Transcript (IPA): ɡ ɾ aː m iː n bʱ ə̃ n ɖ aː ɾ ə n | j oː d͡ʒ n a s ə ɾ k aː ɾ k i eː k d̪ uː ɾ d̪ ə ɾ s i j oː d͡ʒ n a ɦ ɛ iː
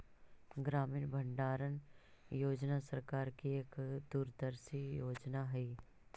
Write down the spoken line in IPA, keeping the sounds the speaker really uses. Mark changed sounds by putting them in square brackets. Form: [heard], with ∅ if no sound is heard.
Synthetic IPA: ɡ ɾ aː m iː n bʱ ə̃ [ɳ] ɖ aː ɾ ə n | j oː d͡ʒ n a s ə ɾ k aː ɾ k i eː k d̪ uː ɾ d̪ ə ɾ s i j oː d͡ʒ n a ɦ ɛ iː